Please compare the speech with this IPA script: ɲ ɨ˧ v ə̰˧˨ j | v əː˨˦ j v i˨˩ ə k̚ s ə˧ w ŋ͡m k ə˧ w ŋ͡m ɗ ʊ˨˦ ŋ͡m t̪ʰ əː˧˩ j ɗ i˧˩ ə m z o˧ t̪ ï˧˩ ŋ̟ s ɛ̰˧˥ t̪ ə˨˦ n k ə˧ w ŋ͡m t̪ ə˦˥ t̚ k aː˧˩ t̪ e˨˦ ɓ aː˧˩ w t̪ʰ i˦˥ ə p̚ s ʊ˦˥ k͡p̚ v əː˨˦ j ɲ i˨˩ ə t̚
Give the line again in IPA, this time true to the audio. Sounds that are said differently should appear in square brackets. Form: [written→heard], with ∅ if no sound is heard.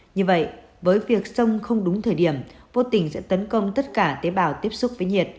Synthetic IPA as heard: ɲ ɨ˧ v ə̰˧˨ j | v əː˨˦ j v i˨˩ ə k̚ s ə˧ w ŋ͡m [k→x] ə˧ w ŋ͡m ɗ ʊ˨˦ ŋ͡m t̪ʰ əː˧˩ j ɗ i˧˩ ə m [z→v] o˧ t̪ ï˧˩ ŋ̟ s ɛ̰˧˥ t̪ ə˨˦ n k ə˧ w ŋ͡m t̪ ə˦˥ t̚ k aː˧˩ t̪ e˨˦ ɓ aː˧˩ w [t̪ʰ→t̪] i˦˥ ə p̚ s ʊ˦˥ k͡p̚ v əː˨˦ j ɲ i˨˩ ə t̚